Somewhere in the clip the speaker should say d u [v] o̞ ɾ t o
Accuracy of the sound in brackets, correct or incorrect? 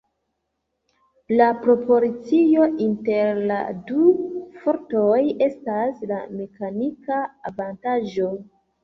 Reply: incorrect